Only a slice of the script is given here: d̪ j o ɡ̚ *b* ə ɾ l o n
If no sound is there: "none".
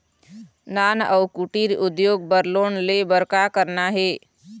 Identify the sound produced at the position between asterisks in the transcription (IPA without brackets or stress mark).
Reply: b